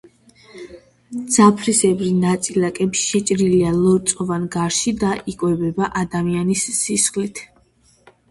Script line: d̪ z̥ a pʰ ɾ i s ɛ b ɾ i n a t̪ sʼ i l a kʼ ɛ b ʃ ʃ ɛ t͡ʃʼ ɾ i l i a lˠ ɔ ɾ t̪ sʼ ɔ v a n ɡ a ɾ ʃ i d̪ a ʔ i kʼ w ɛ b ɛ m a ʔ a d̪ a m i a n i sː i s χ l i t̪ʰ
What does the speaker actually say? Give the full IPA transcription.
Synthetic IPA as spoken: d̪ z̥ a pʰ ɾ i s ɛ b ɾ i n a t̪ sʼ i l a kʼ ɛ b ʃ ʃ ɛ t͡ʃʼ ɾ i l i a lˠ ɔ ɾ t̪ sʼ ɔ v a n ɡ a ɾ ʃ i d̪ a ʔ i kʼ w ɛ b ɛ b a ʔ a d̪ a m i a n i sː i s χ l i t̪ʰ